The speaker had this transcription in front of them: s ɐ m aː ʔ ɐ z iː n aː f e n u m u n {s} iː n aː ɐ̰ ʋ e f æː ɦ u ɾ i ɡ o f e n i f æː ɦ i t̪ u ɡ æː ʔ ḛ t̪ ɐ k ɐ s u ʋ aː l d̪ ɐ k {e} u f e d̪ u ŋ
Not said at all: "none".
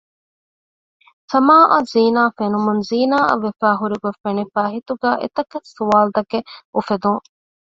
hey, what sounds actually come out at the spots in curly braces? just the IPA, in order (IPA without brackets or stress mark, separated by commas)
z, e